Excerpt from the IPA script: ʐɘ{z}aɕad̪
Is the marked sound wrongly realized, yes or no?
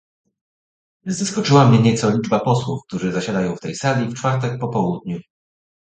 no